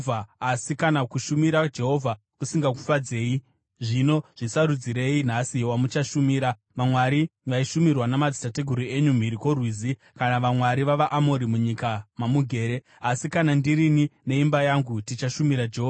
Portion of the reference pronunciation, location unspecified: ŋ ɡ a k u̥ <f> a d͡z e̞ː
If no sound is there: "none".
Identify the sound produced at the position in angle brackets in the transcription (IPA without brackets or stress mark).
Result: f